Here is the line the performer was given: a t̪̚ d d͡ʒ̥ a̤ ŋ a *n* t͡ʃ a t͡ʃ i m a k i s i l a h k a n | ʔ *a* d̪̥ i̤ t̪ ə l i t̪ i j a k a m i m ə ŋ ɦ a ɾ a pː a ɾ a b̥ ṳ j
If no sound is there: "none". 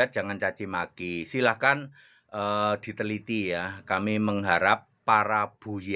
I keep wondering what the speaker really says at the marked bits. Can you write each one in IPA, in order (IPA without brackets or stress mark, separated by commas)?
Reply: n, ə